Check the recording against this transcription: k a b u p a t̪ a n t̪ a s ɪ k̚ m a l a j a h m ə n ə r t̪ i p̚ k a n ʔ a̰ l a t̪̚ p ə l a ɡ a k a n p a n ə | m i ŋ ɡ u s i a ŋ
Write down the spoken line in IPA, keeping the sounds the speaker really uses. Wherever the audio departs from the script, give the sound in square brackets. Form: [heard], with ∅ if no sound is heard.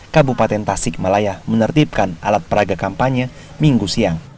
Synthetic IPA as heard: k a b u p a t̪ [ɛ] n t̪ a s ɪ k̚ m a l a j a h m ə n ə r t̪ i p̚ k a n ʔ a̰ l a t̪̚ p ə [ɾ] a ɡ a k a [m] p a [ɲ] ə | m i ŋ ɡ u s i a ŋ